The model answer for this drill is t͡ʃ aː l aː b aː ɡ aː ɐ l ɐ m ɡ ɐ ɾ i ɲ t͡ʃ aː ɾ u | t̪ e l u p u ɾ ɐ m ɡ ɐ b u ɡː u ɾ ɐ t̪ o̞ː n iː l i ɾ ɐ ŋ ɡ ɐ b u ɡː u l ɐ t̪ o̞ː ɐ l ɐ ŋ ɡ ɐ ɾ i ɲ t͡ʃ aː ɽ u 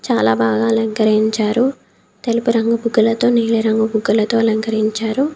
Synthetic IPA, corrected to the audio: t͡ʃ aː l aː b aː ɡ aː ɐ l ɐ ŋ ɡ ɐ ɾ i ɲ t͡ʃ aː ɾ u | t̪ e l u p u ɾ ɐ ŋ ɡ ɐ b u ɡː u l ɐ t̪ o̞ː n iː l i ɾ ɐ ŋ ɡ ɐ b u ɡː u l ɐ t̪ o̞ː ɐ l ɐ ŋ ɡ ɐ ɾ i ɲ t͡ʃ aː ɾ u

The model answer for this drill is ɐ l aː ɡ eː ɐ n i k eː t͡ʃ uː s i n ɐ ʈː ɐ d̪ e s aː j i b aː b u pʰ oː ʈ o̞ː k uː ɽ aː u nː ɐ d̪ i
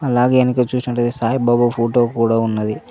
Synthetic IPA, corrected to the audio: ɐ l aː ɡ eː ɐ n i k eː t͡ʃ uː s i n ɐ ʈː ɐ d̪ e s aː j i b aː b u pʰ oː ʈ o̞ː k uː ɽ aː u nː ɐ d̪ i

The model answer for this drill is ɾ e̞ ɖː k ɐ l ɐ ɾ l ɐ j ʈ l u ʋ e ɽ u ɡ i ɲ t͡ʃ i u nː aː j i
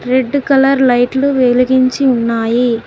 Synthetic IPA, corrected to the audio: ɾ e̞ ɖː k ɐ l ɐ ɾ l ɐ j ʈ l u ʋ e l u ɡ i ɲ t͡ʃ i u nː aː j i

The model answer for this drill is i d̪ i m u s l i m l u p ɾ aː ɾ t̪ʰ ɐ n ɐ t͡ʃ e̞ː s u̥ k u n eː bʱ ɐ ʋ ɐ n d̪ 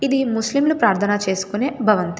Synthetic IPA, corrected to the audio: i d̪ i m u s l i m l u p ɾ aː ɾ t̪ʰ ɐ n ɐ t͡ʃ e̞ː s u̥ k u n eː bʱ ɐ ʋ ɐ n t̪

